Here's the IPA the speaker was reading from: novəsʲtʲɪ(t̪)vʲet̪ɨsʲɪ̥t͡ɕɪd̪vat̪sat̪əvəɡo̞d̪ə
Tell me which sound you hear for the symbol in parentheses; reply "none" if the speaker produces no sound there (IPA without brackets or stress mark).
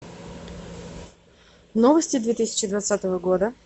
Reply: d̪